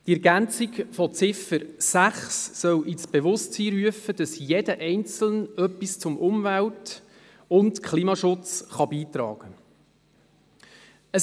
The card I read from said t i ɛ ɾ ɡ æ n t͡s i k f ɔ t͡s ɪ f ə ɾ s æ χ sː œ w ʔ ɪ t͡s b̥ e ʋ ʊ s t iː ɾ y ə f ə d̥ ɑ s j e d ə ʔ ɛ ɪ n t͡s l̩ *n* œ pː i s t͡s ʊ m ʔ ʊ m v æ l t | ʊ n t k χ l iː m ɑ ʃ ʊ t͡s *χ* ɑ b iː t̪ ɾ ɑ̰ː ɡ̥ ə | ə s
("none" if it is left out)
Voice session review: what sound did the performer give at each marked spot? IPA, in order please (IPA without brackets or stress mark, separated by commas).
n, χ